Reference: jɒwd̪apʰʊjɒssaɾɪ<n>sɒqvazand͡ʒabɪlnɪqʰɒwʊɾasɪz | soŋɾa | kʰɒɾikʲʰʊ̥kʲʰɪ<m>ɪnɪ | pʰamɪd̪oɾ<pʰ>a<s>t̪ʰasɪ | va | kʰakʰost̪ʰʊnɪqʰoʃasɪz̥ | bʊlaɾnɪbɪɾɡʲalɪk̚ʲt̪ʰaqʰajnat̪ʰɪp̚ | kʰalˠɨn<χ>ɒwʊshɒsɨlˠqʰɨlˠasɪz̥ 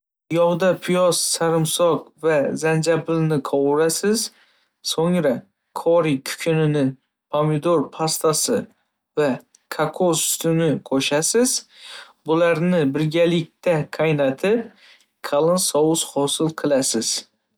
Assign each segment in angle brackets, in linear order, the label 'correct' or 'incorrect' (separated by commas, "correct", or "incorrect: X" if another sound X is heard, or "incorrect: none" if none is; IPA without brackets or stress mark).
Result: incorrect: m, incorrect: n, correct, correct, incorrect: s